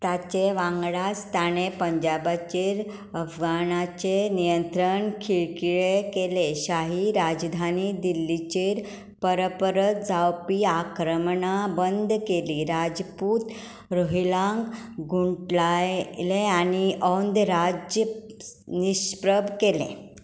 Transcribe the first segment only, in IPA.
t̪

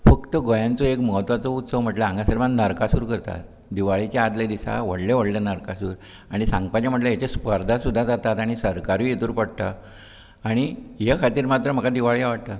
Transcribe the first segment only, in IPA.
f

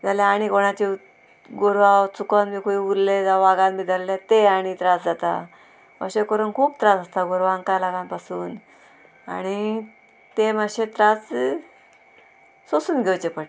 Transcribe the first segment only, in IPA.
d͡z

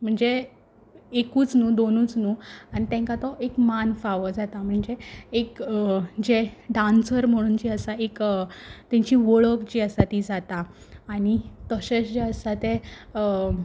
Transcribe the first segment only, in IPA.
m̤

